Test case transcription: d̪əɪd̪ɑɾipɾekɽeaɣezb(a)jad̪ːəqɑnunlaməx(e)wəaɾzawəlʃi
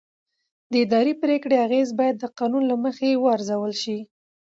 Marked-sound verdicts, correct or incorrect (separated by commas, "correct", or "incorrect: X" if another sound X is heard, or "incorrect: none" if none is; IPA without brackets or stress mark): incorrect: ɑ, correct